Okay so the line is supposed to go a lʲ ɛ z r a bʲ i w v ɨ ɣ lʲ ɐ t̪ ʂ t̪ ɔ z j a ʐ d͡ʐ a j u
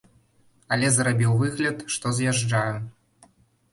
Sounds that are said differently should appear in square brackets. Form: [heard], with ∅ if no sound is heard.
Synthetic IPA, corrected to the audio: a lʲ ɛ z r a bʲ i w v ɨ ɣ lʲ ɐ t̪ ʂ t̪ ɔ z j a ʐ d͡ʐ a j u